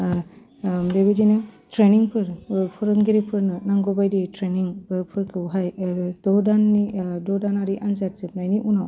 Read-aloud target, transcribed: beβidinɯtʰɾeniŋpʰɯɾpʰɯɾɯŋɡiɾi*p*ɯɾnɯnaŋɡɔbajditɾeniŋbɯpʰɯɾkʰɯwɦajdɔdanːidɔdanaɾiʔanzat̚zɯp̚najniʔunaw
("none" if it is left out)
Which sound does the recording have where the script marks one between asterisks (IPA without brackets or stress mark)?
pʰ